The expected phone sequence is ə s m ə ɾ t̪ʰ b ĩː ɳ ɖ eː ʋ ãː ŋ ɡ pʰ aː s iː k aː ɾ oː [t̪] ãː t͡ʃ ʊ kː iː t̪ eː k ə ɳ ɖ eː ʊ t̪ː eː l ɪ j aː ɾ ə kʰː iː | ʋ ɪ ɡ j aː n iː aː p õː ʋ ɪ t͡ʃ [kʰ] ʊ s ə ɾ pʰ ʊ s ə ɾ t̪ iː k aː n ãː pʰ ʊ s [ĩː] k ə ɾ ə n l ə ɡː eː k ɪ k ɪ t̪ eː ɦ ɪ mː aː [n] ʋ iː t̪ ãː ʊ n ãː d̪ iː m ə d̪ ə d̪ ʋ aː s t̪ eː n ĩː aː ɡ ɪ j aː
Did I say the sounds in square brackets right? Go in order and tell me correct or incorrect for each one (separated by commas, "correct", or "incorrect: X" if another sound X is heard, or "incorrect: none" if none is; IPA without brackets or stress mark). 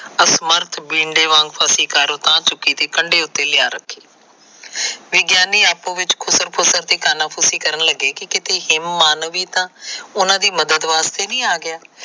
correct, correct, incorrect: iː, correct